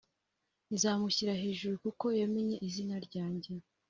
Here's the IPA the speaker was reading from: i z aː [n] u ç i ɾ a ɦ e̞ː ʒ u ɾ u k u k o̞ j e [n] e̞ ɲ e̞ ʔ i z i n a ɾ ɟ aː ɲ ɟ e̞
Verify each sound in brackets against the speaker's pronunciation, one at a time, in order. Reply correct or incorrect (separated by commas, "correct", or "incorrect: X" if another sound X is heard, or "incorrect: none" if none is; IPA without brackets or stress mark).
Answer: incorrect: m, incorrect: m